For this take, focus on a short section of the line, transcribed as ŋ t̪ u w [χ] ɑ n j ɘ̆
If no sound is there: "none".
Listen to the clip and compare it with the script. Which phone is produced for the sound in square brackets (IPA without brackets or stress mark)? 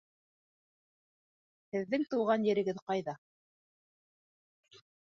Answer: ʁ